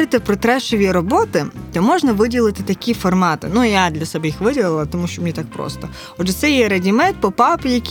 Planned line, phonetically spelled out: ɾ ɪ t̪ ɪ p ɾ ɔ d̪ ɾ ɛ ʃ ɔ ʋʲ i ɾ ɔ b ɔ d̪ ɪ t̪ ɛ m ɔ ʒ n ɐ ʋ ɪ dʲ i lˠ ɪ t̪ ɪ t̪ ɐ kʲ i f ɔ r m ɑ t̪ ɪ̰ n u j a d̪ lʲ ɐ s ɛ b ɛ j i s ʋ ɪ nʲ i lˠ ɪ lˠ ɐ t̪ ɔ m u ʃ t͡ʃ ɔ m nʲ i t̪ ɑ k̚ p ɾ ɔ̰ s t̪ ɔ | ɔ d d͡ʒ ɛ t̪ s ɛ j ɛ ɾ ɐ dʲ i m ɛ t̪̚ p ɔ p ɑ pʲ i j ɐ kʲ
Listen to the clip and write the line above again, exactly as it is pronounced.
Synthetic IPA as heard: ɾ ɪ t̪ ɪ p ɾ ɔ t̪ ɾ ɛ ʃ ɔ ʋʲ i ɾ ɔ b ɔ t̪ ɪ t̪ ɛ m ɔ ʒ n ɐ ʋ ɪ dʲ i lˠ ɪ t̪ ɪ t̪ ɐ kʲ i f ɔ r m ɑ t̪ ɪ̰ n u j a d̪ lʲ ɐ s ɛ b ɛ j i x ʋ ɪ dʲ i lˠ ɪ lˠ ɐ t̪ ɔ m u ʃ t͡ʃ ɔ m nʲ i t̪ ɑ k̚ p ɾ ɔ̰ s t̪ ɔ | ɔ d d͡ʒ ɛ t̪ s ɛ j ɛ ɾ ɐ dʲ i m ɛ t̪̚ p ɔ p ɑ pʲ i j ɐ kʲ